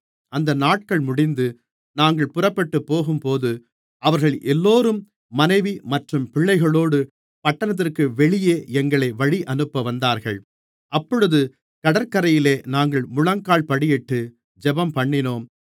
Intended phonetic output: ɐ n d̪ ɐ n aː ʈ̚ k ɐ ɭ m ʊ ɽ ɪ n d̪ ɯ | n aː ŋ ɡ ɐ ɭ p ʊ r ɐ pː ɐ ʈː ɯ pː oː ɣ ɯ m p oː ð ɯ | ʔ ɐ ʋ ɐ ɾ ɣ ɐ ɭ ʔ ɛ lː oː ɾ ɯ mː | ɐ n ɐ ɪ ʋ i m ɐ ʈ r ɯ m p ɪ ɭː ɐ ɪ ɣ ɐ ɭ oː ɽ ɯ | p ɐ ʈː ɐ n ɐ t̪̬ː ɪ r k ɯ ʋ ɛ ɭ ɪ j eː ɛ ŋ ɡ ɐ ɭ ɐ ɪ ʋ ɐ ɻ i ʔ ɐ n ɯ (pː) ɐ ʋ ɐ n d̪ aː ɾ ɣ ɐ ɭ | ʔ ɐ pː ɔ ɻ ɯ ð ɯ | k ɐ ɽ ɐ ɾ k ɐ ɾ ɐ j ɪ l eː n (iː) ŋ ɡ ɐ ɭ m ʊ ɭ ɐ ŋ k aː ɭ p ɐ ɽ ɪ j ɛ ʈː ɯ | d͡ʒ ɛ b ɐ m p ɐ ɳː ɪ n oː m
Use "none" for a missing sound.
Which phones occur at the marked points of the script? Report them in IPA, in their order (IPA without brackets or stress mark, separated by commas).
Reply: pː, aː